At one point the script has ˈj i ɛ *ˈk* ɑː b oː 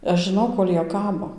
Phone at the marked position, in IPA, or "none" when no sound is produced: k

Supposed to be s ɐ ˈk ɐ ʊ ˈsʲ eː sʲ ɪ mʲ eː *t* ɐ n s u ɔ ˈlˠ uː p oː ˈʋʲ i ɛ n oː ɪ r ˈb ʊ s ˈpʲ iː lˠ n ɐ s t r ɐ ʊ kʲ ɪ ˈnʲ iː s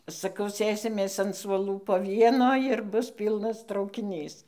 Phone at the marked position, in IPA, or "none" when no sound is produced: s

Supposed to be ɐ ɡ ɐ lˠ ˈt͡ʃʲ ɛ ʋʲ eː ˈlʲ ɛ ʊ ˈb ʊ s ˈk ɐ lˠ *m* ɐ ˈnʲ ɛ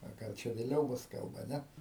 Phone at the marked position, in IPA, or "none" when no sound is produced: b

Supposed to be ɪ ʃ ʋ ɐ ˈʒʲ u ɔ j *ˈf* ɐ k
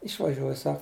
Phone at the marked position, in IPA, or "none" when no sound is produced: s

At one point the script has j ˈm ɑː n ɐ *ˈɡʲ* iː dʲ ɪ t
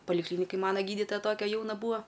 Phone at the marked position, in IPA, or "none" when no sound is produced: ɡʲ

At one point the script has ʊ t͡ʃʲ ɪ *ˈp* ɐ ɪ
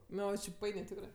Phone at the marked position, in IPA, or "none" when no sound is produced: p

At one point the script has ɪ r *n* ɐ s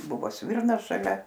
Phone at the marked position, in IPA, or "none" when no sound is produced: n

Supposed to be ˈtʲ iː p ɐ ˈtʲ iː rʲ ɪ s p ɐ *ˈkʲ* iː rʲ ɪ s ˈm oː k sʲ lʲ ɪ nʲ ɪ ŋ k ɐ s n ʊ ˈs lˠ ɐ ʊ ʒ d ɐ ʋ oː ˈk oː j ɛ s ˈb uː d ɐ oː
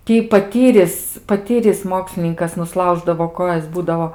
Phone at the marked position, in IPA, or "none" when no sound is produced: tʲ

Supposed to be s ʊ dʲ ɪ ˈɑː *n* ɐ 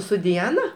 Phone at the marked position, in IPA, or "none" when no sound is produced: n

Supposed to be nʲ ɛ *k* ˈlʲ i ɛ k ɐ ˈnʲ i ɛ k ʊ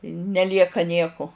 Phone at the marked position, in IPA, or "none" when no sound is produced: none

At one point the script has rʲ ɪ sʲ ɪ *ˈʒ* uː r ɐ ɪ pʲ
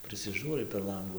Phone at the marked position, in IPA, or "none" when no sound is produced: ʒ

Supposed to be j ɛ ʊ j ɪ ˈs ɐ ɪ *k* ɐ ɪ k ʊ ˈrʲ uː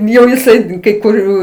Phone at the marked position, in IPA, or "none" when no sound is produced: k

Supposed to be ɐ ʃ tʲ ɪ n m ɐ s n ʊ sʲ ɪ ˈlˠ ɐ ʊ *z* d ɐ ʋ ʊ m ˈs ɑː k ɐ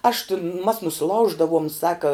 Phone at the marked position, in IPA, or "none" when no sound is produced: ʒ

